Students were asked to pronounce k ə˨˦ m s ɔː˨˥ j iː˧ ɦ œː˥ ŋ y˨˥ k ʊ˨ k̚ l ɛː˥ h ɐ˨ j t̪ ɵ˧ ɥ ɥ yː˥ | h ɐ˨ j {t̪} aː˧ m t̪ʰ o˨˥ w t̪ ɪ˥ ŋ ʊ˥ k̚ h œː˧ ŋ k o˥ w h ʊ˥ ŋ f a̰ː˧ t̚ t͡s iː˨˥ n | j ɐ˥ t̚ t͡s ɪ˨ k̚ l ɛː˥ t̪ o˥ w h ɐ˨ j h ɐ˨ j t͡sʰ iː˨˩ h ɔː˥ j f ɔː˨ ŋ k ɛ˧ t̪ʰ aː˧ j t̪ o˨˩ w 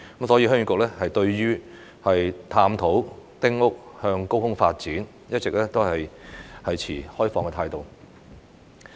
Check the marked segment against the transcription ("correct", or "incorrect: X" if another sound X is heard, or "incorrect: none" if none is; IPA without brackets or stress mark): incorrect: t̪ʰ